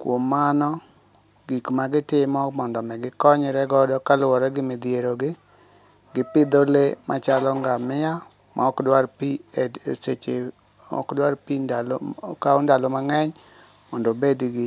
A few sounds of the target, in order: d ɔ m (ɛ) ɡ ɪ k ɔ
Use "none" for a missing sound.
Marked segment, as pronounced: ɛ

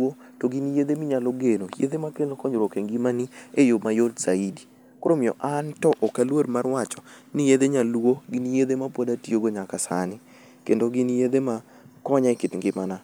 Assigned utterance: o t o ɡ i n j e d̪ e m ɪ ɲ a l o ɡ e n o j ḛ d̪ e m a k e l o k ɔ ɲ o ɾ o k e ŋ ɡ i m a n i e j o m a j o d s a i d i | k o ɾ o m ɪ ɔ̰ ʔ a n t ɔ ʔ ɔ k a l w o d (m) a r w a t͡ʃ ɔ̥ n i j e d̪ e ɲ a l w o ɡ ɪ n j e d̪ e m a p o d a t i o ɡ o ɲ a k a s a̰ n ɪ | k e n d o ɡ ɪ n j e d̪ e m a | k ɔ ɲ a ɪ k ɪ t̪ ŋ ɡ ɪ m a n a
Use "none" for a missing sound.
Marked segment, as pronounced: m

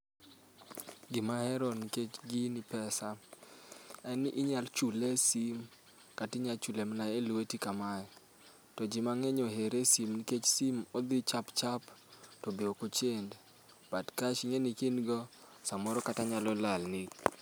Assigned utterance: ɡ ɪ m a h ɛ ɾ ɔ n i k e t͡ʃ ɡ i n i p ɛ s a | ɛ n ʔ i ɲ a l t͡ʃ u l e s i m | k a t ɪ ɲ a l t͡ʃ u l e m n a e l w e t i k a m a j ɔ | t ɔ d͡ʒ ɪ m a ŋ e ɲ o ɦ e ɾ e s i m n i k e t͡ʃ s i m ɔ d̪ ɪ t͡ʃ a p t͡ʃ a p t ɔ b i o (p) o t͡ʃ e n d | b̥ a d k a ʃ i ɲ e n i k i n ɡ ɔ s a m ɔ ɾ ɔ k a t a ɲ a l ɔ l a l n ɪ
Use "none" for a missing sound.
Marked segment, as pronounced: k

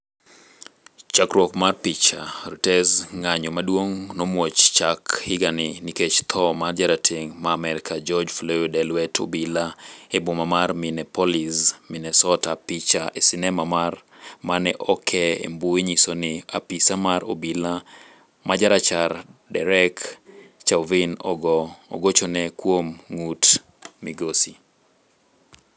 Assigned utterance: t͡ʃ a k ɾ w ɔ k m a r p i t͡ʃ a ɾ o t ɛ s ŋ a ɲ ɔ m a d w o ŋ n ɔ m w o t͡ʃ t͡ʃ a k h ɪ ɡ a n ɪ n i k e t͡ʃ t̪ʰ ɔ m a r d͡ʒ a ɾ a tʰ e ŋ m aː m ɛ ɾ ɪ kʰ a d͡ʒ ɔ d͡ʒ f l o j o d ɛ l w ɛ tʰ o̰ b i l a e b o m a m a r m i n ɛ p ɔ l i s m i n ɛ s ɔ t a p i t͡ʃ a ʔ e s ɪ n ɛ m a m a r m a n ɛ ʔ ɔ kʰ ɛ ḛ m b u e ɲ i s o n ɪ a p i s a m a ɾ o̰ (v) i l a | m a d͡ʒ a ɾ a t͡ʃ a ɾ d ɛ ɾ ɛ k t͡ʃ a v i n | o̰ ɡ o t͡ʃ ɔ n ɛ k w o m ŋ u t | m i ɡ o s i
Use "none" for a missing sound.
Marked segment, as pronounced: b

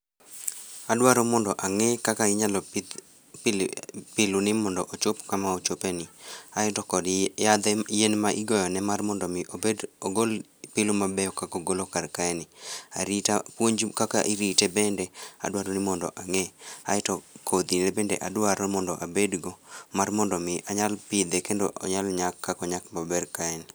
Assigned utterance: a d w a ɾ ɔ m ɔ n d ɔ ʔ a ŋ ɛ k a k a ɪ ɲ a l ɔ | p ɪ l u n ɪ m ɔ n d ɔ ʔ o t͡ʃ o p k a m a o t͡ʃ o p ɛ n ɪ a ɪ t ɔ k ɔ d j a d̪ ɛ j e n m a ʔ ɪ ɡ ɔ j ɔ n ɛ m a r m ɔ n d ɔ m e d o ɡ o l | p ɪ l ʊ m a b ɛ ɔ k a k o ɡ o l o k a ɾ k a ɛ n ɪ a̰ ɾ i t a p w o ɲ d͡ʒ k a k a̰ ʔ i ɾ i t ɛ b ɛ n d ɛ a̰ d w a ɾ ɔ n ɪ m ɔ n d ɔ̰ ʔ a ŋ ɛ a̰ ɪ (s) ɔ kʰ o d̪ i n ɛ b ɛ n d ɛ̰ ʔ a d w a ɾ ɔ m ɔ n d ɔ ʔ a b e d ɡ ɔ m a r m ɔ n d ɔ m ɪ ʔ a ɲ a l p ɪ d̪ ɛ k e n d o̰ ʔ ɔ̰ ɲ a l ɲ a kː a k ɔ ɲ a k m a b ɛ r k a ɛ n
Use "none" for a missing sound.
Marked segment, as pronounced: t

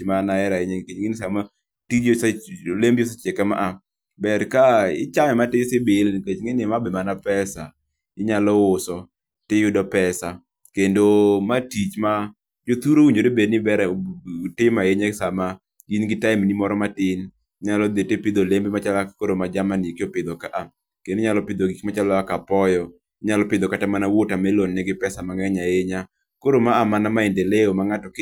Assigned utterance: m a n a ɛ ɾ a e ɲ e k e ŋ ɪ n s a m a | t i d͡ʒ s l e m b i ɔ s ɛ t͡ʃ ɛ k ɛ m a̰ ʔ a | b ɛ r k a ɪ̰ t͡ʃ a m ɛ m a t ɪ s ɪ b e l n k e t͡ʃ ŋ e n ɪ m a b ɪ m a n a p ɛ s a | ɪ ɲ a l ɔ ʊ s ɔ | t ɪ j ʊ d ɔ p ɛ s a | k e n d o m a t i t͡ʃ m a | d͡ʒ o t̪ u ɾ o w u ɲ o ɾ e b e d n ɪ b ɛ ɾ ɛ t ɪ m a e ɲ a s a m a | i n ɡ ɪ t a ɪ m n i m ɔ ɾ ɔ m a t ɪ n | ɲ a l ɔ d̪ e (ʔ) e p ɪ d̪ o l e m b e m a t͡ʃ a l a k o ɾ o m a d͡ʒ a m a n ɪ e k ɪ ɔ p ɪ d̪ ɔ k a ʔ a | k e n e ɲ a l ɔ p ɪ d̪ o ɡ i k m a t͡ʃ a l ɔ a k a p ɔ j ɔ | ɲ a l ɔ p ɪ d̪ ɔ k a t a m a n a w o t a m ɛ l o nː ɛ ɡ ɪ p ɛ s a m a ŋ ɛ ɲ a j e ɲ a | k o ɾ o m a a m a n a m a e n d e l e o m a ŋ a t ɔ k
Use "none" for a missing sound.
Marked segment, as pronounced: t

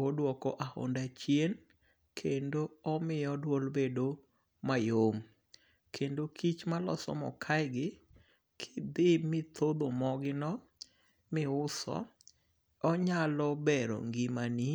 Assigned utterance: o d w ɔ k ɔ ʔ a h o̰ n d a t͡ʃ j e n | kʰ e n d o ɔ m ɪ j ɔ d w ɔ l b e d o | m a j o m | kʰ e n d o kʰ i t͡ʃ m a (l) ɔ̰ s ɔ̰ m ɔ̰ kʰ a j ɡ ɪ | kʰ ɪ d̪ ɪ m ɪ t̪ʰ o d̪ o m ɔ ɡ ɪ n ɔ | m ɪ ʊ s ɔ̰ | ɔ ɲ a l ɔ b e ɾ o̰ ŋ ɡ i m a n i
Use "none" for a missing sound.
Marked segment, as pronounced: l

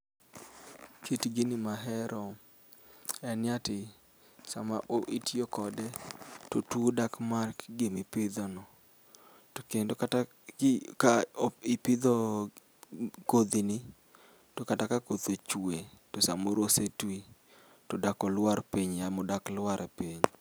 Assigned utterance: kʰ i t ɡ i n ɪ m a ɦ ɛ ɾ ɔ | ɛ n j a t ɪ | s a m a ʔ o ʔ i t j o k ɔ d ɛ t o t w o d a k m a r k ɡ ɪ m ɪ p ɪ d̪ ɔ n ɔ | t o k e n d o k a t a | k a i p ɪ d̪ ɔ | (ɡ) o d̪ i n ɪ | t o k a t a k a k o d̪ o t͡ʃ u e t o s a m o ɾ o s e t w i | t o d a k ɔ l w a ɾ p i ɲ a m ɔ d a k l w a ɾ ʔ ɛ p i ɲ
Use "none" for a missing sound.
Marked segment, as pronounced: k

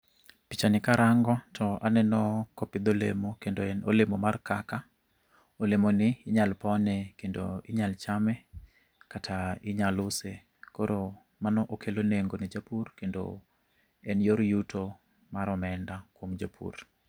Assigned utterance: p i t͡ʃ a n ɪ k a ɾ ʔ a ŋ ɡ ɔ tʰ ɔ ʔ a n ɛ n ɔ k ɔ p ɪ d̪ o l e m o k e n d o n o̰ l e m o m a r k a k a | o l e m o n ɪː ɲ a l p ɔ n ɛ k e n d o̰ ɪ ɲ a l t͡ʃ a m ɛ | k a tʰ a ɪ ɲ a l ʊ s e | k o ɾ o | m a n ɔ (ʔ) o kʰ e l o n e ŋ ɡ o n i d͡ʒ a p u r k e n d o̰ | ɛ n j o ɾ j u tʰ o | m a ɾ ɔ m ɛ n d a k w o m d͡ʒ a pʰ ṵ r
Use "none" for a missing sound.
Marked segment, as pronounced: ʔ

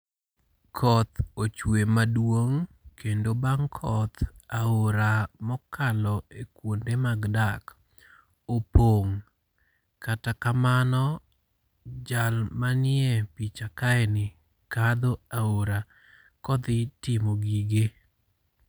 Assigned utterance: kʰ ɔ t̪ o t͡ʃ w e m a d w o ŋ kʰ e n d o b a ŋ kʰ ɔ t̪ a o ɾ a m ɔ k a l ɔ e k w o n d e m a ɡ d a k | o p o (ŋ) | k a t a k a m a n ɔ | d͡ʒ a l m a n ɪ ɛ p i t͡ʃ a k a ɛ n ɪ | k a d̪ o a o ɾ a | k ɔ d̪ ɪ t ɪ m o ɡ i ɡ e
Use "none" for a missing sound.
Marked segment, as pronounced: ŋ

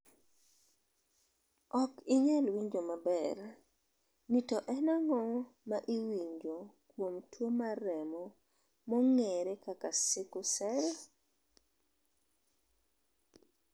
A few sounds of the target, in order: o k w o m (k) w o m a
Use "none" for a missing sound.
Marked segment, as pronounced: t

